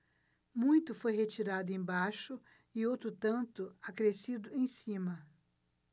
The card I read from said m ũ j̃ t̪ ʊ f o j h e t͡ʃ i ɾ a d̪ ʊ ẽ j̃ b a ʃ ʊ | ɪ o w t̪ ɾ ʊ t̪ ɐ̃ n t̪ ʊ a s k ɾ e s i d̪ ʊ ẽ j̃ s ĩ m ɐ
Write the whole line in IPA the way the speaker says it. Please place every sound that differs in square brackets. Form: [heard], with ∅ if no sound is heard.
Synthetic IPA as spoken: m ũ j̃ t̪ ʊ f o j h e t͡ʃ i ɾ a d̪ ʊ ẽ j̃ b a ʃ ʊ | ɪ o w t̪ ɾ ʊ t̪ ɐ̃ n t̪ ʊ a [∅] k ɾ e s i d̪ ʊ ẽ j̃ s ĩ m ɐ